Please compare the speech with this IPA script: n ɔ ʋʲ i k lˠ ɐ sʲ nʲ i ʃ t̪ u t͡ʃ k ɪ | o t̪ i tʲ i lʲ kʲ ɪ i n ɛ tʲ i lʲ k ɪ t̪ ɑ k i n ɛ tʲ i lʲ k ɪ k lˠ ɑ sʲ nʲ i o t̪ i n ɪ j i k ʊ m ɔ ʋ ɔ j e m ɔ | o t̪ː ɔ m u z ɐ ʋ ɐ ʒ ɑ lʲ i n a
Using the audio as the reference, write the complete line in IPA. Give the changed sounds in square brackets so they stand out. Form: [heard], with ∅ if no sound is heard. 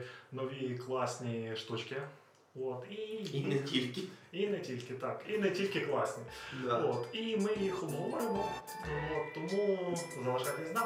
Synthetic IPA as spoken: n ɔ ʋʲ i k lˠ [ɑ] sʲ nʲ i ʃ t̪ u t͡ʃ k ɪ | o t̪ i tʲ i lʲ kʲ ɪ i n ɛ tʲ i lʲ k ɪ t̪ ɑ k i n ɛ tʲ i lʲ k ɪ k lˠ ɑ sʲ nʲ i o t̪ i [m] ɪ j i [x] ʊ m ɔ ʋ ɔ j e m ɔ | o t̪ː ɔ m u z ɐ ʋ ɐ ʒ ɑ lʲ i n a